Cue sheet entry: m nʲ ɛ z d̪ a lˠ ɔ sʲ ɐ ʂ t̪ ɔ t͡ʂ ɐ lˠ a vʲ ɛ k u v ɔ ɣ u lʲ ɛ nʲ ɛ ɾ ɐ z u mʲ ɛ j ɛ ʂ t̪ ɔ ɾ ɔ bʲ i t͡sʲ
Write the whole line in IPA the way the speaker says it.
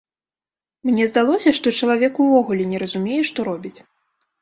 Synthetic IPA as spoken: m nʲ ɛ z d̪ a lˠ ɔ sʲ ɐ ʂ t̪ ɔ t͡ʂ ɐ lˠ a vʲ ɛ k u v ɔ ɣ u lʲ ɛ nʲ ɛ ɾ ɐ z u mʲ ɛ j ɛ ʂ t̪ ɔ ɾ ɔ bʲ i t͡sʲ